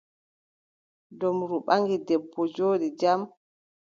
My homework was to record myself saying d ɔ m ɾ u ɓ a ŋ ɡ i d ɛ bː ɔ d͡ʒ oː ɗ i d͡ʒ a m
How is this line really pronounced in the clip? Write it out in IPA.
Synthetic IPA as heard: d ɔ m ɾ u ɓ a ŋ ɡ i d ɛ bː ɔ d͡ʒ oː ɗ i d͡ʒ a m